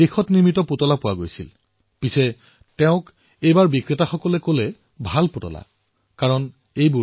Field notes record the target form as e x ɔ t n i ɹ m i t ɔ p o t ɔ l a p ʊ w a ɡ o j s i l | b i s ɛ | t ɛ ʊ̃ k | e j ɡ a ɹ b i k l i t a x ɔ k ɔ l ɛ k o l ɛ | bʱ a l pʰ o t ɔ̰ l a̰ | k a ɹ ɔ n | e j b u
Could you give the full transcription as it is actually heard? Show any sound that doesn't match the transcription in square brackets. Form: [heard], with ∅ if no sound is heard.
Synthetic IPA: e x ɔ t n i ɹ m i t ɔ p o t ɔ l a p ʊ w a ɡ o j s i l | [p] i s ɛ | t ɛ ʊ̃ k | e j [b] a ɹ b i k [ɹ] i t a x ɔ k ɔ l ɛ k o l ɛ | bʱ a l [p] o t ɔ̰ l a̰ | k a ɹ ɔ n | e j b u